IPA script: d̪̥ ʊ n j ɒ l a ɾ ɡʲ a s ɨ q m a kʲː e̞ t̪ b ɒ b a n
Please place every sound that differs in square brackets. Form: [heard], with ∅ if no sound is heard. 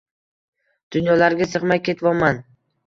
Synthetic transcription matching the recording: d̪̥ ʊ n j ɒ l a ɾ ɡʲ a s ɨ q m a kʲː e̞ t̪ [v] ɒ [m] a n